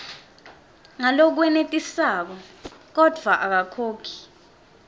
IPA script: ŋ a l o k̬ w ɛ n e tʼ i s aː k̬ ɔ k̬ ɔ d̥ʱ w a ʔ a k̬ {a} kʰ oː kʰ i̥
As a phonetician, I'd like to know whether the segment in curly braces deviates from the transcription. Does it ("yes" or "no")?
no